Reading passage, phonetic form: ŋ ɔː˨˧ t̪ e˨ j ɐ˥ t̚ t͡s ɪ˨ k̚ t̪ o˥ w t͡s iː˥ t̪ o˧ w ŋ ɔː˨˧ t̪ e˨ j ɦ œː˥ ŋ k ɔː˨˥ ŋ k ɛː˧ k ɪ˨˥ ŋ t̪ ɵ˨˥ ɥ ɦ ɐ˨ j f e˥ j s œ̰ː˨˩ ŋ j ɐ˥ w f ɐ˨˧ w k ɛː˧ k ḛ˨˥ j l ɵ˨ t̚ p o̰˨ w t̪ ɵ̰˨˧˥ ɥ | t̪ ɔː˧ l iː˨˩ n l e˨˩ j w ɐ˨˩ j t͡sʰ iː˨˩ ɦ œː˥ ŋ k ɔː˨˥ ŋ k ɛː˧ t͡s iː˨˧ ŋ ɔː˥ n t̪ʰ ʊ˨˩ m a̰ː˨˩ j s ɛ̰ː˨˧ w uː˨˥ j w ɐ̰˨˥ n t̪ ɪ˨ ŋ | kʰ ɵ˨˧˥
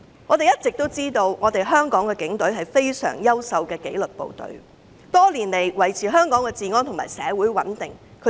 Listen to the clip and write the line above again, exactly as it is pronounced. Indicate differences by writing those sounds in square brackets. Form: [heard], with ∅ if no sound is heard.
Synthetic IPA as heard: ŋ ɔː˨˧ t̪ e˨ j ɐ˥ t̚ t͡s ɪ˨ k̚ t̪ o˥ w t͡s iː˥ t̪ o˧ w ŋ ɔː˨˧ t̪ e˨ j ɦ œː˥ ŋ k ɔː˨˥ ŋ k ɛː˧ k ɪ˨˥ ŋ t̪ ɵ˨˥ ɥ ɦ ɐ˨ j f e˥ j s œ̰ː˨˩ ŋ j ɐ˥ w [s] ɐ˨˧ w k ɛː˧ k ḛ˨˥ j l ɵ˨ t̚ p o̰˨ w t̪ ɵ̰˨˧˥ ɥ | t̪ [ɔː˥] l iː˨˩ n l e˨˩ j w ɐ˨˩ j t͡sʰ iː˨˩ ɦ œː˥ ŋ k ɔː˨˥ ŋ k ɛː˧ t͡s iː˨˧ ŋ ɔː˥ n t̪ʰ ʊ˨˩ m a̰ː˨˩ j s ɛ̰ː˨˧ w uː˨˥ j w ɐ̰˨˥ n t̪ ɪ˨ ŋ | kʰ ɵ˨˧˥

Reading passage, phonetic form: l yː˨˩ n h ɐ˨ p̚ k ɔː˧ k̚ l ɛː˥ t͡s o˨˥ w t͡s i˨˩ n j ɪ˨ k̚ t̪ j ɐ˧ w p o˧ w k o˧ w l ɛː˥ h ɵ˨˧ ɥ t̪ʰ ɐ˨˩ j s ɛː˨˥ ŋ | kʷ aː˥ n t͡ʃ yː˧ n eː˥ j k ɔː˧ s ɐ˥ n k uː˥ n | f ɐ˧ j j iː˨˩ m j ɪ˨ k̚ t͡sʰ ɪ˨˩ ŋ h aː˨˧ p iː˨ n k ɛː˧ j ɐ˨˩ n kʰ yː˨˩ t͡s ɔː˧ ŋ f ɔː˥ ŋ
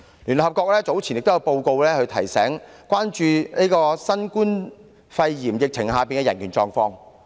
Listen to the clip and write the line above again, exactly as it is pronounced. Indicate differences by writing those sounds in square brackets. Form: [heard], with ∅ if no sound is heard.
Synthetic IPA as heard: l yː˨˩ n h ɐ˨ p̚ k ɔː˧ k̚ l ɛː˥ t͡s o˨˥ w [t͡sʰ] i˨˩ n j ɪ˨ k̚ t̪ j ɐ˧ w p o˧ w k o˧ w l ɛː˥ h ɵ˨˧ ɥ t̪ʰ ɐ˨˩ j s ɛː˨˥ ŋ | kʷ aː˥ n t͡ʃ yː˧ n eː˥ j k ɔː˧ s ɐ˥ n k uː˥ n | f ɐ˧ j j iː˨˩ m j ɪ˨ k̚ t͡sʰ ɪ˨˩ ŋ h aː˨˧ p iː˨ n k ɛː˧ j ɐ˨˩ n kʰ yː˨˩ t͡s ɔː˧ ŋ f [ɔː˧] ŋ

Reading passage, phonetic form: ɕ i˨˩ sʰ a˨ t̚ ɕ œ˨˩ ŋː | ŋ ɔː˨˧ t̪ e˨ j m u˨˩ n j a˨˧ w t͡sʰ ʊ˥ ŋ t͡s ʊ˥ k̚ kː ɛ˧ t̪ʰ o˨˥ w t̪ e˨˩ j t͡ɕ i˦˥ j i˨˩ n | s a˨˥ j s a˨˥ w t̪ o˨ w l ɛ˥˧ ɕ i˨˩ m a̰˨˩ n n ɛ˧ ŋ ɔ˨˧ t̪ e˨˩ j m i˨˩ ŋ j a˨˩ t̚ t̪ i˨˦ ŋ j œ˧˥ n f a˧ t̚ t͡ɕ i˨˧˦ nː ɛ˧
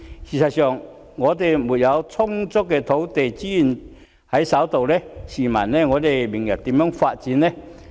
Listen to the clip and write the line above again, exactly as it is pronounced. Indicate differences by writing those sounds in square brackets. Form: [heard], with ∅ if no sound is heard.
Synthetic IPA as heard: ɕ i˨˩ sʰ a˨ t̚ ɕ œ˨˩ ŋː | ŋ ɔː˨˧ t̪ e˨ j m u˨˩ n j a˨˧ w t͡sʰ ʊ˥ ŋ t͡s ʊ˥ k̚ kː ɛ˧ t̪ʰ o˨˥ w t̪ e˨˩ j t͡ɕ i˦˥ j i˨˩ n | [h] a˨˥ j s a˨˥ w t̪ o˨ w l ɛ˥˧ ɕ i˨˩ m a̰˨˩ n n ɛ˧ ŋ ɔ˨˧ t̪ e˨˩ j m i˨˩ ŋ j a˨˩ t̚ t̪ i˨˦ [m] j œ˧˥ [ŋ] f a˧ t̚ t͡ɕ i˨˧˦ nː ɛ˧

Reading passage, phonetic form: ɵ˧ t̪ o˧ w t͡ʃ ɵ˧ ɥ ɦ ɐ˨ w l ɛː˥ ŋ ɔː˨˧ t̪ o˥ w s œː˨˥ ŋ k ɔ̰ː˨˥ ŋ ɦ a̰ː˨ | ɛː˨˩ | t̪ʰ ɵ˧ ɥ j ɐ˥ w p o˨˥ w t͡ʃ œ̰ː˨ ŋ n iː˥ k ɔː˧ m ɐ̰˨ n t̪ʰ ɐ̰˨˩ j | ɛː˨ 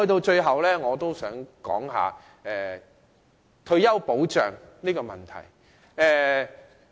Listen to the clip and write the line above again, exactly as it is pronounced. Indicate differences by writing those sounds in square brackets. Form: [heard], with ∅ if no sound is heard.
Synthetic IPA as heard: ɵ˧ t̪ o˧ w t͡ʃ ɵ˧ ɥ ɦ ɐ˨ w l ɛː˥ ŋ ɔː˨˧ t̪ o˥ w s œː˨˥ ŋ k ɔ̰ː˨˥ ŋ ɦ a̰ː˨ | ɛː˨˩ | t̪ʰ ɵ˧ ɥ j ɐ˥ w p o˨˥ w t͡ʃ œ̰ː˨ ŋ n iː˥ k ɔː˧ m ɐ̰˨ n t̪ʰ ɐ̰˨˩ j | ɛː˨

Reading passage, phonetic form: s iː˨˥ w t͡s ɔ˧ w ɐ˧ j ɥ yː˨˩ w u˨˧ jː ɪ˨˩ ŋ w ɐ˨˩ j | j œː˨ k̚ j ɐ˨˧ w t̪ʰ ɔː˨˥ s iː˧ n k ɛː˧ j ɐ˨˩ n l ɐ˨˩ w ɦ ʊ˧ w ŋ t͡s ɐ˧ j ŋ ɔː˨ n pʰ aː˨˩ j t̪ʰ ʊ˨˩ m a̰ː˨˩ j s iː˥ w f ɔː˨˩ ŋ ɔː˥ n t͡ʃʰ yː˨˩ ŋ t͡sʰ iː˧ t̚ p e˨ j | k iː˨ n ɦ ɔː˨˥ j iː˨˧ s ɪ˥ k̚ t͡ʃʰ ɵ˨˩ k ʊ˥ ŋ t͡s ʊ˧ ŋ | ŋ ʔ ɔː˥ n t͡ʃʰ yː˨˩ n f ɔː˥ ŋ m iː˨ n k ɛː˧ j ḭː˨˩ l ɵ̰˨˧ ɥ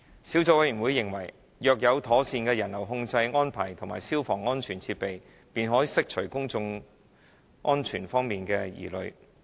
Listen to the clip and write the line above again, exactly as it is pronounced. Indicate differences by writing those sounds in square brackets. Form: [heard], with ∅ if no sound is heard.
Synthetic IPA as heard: s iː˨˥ w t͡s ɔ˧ w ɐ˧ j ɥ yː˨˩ w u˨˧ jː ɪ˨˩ ŋ w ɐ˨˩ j | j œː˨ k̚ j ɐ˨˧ w t̪ʰ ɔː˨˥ s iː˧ n k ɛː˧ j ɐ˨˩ n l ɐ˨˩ w ɦ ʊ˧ [∅] ŋ t͡s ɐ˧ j ŋ [ɔː˥] n pʰ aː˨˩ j t̪ʰ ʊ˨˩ m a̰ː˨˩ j s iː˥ w f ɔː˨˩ ŋ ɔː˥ n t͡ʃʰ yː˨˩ [n] t͡sʰ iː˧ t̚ p e˨ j | [p] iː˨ n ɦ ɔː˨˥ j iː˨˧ s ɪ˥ k̚ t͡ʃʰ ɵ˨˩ k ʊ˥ ŋ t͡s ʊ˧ ŋ | ŋ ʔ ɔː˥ n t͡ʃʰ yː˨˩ n f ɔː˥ ŋ m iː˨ n k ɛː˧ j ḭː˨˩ l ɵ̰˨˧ ɥ

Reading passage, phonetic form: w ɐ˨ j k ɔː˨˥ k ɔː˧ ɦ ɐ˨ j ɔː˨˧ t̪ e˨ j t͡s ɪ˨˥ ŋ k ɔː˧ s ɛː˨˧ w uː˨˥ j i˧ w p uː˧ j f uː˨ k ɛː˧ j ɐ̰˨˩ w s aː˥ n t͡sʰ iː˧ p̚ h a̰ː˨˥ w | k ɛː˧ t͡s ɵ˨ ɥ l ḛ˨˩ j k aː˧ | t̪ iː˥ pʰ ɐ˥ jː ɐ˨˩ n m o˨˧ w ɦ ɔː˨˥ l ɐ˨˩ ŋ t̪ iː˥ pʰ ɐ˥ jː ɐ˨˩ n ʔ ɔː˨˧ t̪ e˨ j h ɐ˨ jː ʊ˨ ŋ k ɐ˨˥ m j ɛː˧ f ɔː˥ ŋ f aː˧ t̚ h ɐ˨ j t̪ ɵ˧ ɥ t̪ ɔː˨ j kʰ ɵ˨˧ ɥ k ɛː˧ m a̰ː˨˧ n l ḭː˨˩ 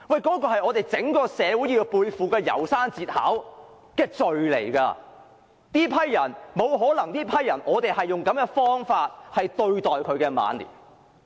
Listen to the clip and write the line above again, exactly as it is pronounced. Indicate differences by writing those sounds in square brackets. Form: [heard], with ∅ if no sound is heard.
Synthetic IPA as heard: w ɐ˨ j k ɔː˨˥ k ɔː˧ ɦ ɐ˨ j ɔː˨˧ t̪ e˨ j t͡s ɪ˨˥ ŋ k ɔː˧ s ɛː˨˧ w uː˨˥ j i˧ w p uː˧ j f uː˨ k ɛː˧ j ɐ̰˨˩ w s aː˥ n [t͡s] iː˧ [t̚] h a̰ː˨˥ w | k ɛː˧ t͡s ɵ˨ ɥ l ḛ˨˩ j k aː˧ | t̪ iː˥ pʰ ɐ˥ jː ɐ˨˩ n m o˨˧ w ɦ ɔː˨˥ l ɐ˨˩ ŋ t̪ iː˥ pʰ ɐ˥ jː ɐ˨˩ n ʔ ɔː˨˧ t̪ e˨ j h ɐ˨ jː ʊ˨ ŋ k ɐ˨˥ m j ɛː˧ f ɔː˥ ŋ f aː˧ t̚ h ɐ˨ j t̪ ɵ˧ ɥ t̪ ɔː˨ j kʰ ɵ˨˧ ɥ k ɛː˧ m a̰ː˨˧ n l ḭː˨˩

